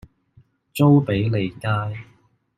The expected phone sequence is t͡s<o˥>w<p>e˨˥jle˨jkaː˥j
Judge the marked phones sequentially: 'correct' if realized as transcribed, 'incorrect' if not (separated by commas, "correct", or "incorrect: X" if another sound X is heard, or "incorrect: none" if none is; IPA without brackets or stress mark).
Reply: correct, correct